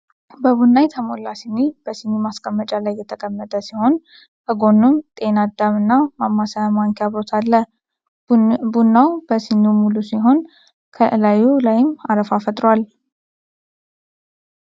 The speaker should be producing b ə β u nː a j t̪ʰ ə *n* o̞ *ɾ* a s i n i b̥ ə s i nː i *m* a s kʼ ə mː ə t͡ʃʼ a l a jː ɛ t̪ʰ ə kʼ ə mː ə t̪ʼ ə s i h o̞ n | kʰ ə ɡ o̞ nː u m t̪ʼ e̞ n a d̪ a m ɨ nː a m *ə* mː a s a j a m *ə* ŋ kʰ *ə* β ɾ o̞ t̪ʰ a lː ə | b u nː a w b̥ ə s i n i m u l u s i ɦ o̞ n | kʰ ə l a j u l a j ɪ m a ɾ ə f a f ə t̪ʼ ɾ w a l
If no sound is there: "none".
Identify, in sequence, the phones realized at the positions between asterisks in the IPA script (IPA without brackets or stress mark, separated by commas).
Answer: m, l, m, a, a, a